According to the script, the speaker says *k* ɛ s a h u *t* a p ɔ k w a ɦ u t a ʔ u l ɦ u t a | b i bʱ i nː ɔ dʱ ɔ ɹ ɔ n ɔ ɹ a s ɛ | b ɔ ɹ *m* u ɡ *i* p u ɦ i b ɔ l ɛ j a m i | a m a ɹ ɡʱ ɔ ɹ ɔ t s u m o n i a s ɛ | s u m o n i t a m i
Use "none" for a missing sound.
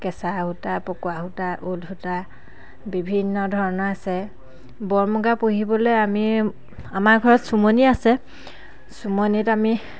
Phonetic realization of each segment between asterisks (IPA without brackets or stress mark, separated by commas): k, t, m, a